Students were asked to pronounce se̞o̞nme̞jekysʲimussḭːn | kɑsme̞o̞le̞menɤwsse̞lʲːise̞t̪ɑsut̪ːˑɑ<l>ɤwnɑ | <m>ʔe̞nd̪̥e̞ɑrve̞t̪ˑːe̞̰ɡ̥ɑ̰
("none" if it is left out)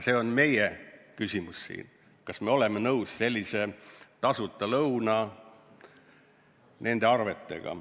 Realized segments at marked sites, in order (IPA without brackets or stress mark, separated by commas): l, n